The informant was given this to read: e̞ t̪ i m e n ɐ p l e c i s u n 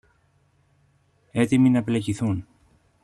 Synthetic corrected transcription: e̞ t̪ i m i n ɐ p l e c i θ u n

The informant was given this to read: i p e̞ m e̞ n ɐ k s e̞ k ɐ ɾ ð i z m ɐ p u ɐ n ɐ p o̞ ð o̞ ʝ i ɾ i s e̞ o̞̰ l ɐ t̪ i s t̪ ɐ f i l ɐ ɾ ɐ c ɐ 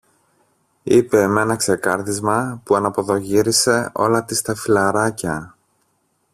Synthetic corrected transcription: i p e̞ m e̞ n ɐ k s e̞ k ɐ ɾ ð i z m ɐ p u ɐ n ɐ p o̞ ð o̞ ʝ i ɾ i s e̞ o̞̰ l ɐ t̪ i s t̪ ɐ f i l ɐ ɾ ɐ c ɐ

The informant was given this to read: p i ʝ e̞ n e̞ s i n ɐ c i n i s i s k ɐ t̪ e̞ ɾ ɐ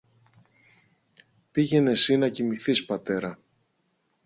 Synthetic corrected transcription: p i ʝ e̞ n e̞ s i n ɐ c i m i θ i s p ɐ t̪ e̞ ɾ ɐ

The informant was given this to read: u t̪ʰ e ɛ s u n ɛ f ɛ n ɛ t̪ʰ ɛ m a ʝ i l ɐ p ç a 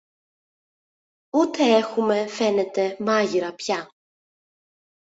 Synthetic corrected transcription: u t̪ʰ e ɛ x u m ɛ f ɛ n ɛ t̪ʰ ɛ m a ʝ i ɾ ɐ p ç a

